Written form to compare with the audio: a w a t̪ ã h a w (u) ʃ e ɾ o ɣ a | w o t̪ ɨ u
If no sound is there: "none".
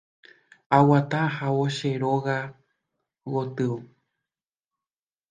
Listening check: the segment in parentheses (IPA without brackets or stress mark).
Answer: o